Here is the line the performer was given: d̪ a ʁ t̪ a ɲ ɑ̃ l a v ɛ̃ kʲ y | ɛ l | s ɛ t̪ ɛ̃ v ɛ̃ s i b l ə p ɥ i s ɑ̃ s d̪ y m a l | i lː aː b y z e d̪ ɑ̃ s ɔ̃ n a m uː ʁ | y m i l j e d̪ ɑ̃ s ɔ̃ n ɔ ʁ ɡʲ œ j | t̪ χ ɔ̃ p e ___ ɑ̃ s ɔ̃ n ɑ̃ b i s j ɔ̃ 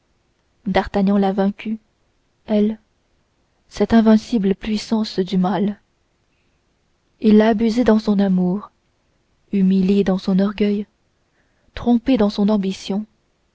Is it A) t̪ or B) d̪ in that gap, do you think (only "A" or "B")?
B